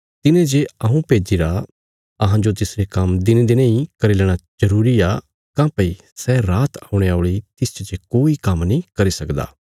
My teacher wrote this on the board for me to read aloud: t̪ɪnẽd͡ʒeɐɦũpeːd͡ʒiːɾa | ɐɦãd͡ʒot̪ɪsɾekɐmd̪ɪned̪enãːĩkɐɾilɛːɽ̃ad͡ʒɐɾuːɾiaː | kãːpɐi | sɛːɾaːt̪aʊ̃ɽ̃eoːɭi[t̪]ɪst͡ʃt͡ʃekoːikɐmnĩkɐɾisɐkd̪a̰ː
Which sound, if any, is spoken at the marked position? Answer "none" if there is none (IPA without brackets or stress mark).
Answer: t̪